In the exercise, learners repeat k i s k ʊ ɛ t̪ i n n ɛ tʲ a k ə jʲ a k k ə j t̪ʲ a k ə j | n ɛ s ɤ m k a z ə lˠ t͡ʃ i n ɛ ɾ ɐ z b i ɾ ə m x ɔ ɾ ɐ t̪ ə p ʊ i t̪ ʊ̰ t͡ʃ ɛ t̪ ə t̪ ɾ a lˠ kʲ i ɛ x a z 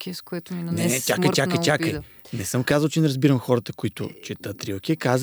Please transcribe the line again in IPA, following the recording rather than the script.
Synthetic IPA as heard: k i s k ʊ ɛ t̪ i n n ɛ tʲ a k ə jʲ a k k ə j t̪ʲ a k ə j | n ɛ s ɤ m k a z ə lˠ t͡ʃ ɛ n ɛ ɾ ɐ z b i ɾ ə m x ɔ ɾ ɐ t̪ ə k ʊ i t̪ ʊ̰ t͡ʃ ɛ t̪ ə t̪ ɾ i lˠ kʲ i ɛ k a z